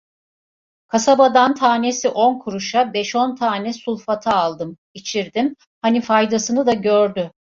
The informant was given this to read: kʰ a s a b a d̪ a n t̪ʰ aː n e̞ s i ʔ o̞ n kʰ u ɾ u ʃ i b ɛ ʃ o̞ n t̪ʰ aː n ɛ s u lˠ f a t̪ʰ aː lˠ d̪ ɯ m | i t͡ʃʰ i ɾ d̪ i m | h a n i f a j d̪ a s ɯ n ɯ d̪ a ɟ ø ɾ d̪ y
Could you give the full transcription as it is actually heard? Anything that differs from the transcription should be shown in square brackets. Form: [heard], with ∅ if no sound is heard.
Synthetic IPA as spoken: kʰ a s a b a d̪ a n t̪ʰ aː n e̞ s i ʔ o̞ n kʰ u ɾ u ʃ [a] b ɛ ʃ o̞ n t̪ʰ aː n ɛ s u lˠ f a t̪ʰ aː lˠ d̪ ɯ m | i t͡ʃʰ i ɾ d̪ i m | h a n i f a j d̪ a s ɯ n ɯ d̪ a ɟ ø ɾ d̪ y